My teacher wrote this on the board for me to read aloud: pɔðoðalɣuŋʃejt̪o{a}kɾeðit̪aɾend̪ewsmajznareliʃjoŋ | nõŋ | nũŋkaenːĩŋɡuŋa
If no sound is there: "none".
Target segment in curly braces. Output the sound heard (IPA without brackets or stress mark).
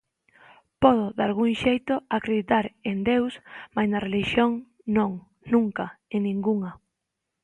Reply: a